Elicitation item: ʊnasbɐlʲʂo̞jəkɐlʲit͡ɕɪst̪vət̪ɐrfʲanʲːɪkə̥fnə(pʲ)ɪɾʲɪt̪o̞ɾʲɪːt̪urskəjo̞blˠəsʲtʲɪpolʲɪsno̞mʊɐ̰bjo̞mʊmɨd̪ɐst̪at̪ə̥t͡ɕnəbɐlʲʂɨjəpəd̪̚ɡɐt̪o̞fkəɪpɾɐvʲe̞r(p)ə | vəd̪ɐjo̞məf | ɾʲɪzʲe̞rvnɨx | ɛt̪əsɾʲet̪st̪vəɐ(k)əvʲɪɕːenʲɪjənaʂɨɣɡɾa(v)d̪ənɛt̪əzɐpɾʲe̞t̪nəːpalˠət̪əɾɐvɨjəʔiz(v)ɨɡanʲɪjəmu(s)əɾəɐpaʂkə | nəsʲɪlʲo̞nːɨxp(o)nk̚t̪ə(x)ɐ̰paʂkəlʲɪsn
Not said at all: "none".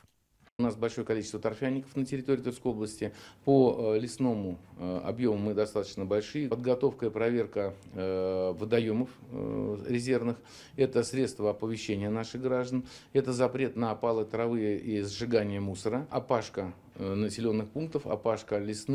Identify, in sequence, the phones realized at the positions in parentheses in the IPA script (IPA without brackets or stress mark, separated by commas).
tʲ, k, p, ʐ, ʐ, s, u, f